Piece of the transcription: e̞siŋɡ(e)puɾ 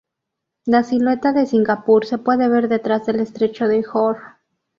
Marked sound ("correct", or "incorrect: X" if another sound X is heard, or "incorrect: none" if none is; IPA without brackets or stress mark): incorrect: a